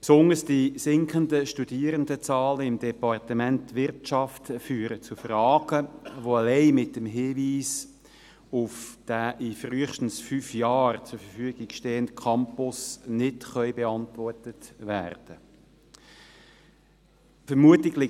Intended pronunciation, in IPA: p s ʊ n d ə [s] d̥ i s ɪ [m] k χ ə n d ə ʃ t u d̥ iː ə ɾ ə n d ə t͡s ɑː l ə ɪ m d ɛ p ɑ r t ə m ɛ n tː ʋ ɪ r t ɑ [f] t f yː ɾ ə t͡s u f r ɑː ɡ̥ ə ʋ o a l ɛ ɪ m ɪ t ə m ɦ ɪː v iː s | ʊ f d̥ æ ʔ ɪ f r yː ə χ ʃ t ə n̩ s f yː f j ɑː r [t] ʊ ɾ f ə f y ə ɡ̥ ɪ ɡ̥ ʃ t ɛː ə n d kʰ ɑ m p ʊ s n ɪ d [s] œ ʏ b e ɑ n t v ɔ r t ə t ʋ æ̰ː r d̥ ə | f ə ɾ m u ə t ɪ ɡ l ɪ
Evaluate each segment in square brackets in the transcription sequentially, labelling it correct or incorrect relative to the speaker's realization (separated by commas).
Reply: correct, incorrect, correct, incorrect, incorrect